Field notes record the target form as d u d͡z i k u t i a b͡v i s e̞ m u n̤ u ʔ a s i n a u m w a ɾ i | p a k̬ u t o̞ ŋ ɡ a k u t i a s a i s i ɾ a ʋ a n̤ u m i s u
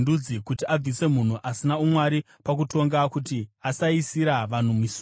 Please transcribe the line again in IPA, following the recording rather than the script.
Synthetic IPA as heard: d u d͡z i k u t i a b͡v i s e̞ m u n̤ u ʔ a s i n a u m w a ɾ i | p a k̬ u t o̞ ŋ ɡ a k u t i a s a i s i ɾ a ʋ a n̤ u m i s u